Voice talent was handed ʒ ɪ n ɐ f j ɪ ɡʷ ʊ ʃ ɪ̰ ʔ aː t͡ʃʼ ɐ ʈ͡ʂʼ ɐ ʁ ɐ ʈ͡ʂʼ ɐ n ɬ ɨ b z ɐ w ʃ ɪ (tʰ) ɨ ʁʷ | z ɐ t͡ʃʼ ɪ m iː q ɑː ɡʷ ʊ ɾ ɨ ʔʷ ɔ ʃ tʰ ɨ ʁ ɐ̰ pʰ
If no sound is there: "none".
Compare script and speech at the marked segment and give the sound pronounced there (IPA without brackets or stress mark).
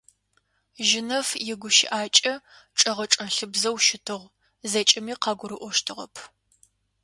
tʰ